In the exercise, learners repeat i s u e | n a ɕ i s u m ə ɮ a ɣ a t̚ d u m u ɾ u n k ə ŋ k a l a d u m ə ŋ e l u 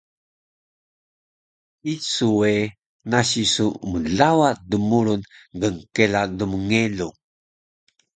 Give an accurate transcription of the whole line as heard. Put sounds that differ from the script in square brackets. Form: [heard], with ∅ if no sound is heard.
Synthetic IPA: i s u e | n a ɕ i s u m ə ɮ a [w] a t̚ d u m u ɾ u n [ɡ] ə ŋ k [e] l a d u m ə ŋ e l u